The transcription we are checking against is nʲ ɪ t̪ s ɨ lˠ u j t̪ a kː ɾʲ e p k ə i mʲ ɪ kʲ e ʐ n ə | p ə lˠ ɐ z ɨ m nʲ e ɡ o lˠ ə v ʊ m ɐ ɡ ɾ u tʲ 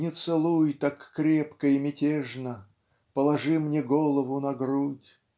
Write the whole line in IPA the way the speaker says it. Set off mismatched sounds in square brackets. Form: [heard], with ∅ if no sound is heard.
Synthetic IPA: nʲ ɪ t̪ s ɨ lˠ u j t̪ a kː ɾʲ e p k ə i mʲ ɪ [tʲ] e ʐ n ə | p ə lˠ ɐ [ʐ] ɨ m nʲ e ɡ o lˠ ə v ʊ [n] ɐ ɡ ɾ u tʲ